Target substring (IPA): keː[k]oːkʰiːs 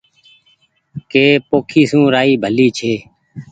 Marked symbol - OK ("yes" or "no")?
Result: no